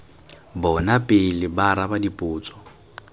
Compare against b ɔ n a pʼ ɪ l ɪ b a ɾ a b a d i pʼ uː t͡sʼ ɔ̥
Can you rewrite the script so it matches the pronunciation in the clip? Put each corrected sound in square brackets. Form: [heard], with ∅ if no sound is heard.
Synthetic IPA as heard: b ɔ n a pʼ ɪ l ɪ b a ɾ a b a d i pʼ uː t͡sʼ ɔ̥